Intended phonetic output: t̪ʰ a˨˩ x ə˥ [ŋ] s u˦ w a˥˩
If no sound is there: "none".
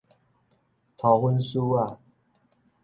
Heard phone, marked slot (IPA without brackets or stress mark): n